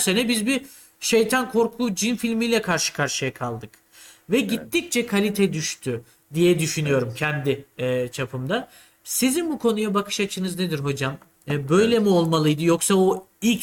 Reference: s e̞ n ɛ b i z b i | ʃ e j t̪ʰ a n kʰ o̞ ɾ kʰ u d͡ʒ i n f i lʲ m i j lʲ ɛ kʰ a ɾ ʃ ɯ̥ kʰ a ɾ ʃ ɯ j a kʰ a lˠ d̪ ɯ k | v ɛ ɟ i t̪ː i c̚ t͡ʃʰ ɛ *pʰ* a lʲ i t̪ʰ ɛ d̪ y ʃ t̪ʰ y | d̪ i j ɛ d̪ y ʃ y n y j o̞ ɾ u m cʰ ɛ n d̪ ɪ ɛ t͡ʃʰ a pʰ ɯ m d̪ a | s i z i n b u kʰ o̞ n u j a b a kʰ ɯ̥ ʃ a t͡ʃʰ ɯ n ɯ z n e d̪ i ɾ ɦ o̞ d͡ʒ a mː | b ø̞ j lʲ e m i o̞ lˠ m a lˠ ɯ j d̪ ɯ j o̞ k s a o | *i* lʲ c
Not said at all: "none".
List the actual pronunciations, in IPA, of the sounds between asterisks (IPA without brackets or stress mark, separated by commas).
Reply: kʰ, i